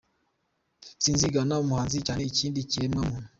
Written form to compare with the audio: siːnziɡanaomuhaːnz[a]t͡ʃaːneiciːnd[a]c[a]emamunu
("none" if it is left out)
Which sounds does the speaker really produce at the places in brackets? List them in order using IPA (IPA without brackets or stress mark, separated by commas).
i, i, i